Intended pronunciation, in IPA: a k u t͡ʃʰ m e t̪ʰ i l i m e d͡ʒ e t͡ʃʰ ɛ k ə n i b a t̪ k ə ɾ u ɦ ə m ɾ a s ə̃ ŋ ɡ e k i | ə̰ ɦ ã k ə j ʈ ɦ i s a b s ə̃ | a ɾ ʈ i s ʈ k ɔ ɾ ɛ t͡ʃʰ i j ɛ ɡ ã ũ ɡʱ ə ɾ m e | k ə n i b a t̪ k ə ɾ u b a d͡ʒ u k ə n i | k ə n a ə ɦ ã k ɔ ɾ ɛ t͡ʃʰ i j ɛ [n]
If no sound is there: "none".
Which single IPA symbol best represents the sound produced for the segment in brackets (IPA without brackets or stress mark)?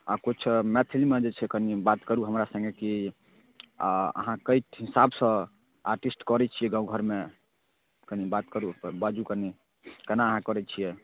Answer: none